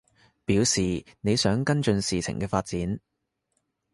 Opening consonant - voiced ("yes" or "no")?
no